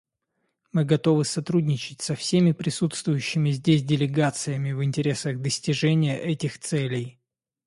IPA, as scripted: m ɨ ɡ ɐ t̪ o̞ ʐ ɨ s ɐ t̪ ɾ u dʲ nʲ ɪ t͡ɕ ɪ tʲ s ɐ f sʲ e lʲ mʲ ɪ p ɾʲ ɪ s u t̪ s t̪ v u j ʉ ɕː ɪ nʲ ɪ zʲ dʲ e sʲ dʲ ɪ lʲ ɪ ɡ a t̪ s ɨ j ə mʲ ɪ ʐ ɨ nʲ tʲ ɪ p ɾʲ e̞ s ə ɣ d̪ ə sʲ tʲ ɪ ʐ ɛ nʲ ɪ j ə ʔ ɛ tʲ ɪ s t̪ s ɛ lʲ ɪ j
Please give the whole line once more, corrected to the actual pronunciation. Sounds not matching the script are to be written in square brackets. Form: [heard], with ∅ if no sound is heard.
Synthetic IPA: m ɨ ɡ ɐ t̪ o̞ [v] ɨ s ɐ t̪ ɾ u dʲ nʲ ɪ t͡ɕ ɪ tʲ s ɐ f sʲ e [∅] mʲ ɪ p ɾʲ ɪ s u t̪ s t̪ v [ʊ] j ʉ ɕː ɪ [mʲ] ɪ zʲ dʲ e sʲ dʲ ɪ lʲ ɪ ɡ a t̪ s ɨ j ə mʲ ɪ [v] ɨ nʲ tʲ ɪ [∅] ɾʲ e̞ s ə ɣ d̪ ə sʲ tʲ ɪ ʐ ɛ nʲ ɪ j ə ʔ ɛ tʲ ɪ [x] t̪ s ɛ lʲ ɪ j